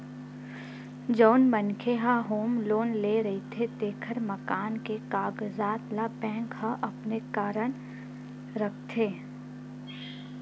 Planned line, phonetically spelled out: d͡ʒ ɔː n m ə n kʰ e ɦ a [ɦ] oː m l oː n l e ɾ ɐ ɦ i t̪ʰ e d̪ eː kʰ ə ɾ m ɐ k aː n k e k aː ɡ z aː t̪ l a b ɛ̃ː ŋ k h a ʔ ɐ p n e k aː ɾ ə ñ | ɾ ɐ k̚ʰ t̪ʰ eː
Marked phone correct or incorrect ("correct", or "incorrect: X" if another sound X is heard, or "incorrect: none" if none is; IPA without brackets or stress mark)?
correct